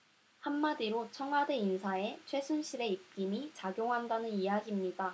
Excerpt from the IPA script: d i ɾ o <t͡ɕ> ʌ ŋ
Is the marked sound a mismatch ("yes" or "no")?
yes